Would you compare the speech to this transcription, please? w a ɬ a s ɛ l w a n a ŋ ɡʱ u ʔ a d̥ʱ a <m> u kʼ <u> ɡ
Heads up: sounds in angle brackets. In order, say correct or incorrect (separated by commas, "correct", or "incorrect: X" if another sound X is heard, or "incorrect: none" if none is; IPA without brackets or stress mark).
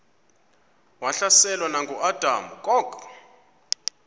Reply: correct, incorrect: ɔ